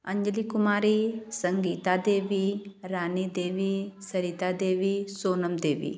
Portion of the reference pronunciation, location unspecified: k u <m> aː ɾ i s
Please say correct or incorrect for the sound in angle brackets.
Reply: correct